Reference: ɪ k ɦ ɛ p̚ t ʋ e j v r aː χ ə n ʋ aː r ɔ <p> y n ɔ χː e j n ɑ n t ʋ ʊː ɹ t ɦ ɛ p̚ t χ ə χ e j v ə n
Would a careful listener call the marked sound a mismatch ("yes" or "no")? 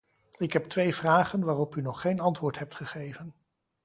no